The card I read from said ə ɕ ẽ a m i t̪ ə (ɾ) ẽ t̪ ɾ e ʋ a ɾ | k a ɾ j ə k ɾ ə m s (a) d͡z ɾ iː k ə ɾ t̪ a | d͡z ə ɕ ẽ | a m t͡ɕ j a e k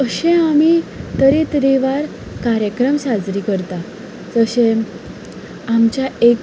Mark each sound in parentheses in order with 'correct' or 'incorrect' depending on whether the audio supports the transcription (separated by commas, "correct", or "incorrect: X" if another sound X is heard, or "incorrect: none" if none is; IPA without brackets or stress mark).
correct, correct